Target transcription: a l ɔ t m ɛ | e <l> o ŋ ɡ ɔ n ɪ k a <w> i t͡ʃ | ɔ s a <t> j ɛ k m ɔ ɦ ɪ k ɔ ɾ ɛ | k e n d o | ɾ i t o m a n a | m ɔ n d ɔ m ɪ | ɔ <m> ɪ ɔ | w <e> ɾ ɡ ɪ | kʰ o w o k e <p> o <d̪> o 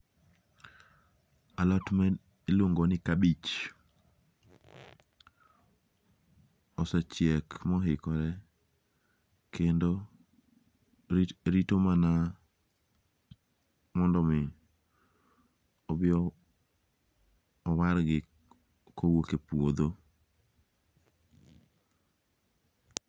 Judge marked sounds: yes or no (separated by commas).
yes, no, no, no, no, yes, yes